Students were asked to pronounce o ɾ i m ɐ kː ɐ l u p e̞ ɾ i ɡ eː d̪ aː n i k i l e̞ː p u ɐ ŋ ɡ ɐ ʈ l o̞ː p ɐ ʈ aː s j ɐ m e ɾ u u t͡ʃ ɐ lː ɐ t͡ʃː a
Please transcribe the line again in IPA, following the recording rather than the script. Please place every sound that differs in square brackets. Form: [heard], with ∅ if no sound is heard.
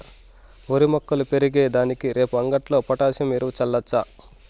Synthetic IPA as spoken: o ɾ i m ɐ kː ɐ l u p e̞ ɾ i ɡ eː d̪ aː n i k i [ɾ] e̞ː p u ɐ ŋ ɡ ɐ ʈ l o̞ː p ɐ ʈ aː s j ɐ m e ɾ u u t͡ʃ ɐ lː ɐ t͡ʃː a